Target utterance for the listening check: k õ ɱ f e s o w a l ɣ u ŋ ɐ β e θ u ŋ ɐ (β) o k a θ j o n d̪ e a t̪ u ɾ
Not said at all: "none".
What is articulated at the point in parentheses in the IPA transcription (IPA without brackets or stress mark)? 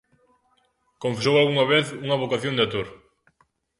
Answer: β